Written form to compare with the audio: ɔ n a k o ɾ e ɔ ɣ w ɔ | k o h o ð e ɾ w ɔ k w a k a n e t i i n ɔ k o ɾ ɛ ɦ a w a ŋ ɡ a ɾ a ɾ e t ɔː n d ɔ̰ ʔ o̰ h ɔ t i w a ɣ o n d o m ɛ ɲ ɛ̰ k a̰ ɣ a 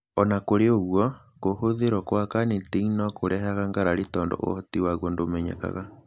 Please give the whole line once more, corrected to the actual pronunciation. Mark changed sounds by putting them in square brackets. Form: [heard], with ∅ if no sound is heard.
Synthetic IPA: ɔ n a k o ɾ e [o] ɣ w ɔ | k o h o ð e ɾ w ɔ k w a k a n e t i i n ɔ k o ɾ ɛ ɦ a [ɣ] a ŋ ɡ a ɾ a ɾ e t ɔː n d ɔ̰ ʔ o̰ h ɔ t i w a ɣ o n d o m ɛ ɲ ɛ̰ k a̰ ɣ a